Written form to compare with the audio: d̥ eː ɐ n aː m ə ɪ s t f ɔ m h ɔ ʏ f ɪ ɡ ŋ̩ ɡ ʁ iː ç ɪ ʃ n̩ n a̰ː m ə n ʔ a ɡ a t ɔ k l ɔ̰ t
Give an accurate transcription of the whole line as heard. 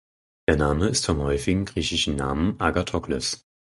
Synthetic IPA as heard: d̥ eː ɐ n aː m ə ɪ s t f ɔ m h ɔ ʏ f ɪ ɡ ŋ̩ ɡ ʁ iː ç ɪ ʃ n̩ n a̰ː m ə n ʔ a ɡ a tʰ ɔ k l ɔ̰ s